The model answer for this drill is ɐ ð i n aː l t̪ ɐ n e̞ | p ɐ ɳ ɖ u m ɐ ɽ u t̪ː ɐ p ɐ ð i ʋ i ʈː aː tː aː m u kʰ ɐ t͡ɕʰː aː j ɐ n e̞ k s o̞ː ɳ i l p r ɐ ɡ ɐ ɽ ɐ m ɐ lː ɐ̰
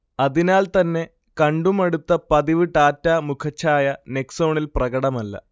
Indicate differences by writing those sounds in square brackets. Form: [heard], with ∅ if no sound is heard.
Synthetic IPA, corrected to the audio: ɐ ð i n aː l t̪ ɐ [nː] e̞ | [k] ɐ ɳ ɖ u m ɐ ɽ u t̪ː ɐ p ɐ ð i ʋ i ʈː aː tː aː m u kʰ ɐ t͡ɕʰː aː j ɐ n e̞ k s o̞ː ɳ i l p r ɐ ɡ ɐ ɽ ɐ m ɐ lː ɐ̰

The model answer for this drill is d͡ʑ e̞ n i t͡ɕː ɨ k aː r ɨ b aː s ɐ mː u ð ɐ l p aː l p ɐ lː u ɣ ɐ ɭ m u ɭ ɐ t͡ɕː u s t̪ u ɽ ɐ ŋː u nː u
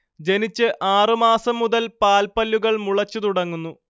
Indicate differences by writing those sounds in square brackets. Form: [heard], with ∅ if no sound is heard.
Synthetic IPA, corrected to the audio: d͡ʑ e̞ n i t͡ɕː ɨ [ʔ] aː r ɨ [m] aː s ɐ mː u ð ɐ l p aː l p ɐ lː u ɣ ɐ ɭ m u ɭ ɐ t͡ɕː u [∅] t̪ u ɽ ɐ ŋː u nː u

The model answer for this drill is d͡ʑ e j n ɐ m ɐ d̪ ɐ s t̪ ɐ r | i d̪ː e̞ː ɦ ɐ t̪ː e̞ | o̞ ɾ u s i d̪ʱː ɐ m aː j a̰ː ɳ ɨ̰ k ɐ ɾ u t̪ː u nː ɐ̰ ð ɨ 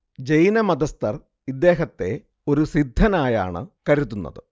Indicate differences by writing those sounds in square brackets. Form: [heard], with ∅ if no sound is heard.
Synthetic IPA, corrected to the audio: d͡ʑ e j n ɐ m ɐ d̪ ɐ s t̪ ɐ r | i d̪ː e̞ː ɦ ɐ t̪ː e̞ | o̞ ɾ u s i d̪ʱː ɐ [n] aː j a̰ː ɳ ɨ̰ k ɐ ɾ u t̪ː u nː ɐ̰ ð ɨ

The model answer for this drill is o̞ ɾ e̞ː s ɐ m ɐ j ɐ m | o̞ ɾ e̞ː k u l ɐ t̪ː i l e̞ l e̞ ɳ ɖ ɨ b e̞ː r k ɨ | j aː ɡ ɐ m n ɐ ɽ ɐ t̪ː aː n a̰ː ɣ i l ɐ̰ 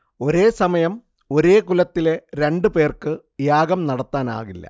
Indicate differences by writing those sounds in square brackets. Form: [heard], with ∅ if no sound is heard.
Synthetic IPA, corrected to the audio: o̞ ɾ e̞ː s ɐ m ɐ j ɐ m | o̞ ɾ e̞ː k u l ɐ t̪ː i l e̞ [ɾ] e̞ ɳ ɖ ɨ [p] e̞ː r k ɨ | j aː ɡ ɐ m n ɐ ɽ ɐ t̪ː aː n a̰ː ɣ i [lː] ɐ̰

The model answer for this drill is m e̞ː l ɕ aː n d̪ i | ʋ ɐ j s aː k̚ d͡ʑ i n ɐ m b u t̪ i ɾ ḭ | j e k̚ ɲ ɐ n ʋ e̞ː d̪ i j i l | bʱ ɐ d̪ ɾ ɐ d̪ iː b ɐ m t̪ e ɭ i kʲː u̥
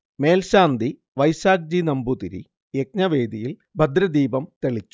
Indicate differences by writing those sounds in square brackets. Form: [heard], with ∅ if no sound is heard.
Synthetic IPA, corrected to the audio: m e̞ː l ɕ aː n d̪ i | ʋ ɐ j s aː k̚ d͡ʑ i n ɐ m b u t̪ i ɾ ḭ | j e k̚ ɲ ɐ [∅] ʋ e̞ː d̪ i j i l | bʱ ɐ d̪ ɾ ɐ d̪ iː b ɐ m t̪ e ɭ i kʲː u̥

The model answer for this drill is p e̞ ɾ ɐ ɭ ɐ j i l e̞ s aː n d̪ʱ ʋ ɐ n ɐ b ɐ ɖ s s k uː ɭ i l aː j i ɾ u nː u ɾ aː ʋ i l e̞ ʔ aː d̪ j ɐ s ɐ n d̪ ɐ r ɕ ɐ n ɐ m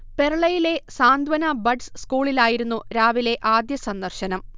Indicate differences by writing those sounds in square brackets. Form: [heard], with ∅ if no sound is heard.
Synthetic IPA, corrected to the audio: p e̞ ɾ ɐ ɭ ɐ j i l e̞ s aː n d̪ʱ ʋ ɐ n ɐ b ɐ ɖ s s k uː ɭ i l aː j i ɾ u nː u ɾ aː ʋ i l e̞ ʔ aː d̪ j ɐ s ɐ n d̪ ɐ r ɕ ɐ n ɐ m

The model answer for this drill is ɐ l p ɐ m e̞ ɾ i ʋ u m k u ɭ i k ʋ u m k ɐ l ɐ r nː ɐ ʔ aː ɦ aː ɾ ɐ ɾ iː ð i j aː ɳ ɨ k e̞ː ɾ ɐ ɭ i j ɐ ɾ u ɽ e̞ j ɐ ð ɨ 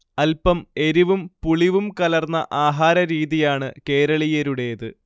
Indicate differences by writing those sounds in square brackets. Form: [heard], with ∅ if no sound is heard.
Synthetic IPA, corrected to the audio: ɐ l p ɐ m e̞ ɾ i ʋ u m [p] u ɭ i [∅] ʋ u m k ɐ l ɐ r nː ɐ ʔ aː ɦ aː ɾ ɐ ɾ iː ð i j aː ɳ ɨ k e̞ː ɾ ɐ ɭ i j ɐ ɾ u ɽ e̞ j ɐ ð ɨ

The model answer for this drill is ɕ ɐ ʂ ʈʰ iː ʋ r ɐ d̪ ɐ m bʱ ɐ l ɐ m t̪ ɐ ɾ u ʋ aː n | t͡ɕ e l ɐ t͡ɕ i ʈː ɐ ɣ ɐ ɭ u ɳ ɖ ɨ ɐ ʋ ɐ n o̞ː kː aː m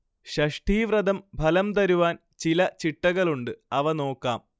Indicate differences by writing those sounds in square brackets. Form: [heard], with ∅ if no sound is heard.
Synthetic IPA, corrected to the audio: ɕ ɐ ʂ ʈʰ iː ʋ r ɐ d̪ ɐ m bʱ ɐ l ɐ m t̪ ɐ ɾ u ʋ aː n | t͡ɕ [i] l ɐ t͡ɕ i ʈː ɐ ɣ ɐ ɭ u ɳ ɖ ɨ ɐ ʋ ɐ n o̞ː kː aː m

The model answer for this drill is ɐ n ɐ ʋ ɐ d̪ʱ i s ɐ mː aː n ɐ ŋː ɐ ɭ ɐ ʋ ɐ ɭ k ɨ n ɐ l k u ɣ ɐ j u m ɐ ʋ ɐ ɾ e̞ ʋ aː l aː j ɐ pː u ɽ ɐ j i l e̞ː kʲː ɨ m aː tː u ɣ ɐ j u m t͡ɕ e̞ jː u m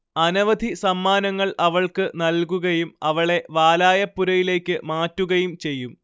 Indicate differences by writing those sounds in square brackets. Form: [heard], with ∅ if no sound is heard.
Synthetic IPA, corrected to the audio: ɐ n ɐ ʋ ɐ d̪ʱ i s ɐ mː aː n ɐ ŋː ɐ ɭ ɐ ʋ ɐ ɭ k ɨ n ɐ l k u ɣ ɐ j u m ɐ ʋ ɐ [ɭ] e̞ ʋ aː l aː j ɐ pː u [ɾ] ɐ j i l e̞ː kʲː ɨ m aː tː u ɣ ɐ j u m t͡ɕ e̞ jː u m

